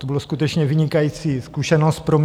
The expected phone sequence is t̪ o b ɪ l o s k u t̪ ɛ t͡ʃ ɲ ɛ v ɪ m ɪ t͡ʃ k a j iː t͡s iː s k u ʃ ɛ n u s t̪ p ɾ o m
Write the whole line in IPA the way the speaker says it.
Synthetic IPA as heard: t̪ o b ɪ l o s k u t̪ ɛ t͡ʃ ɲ ɛ v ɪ ɲ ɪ k a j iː t͡s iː s k u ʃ ɛ n o s t̪ p ɾ o m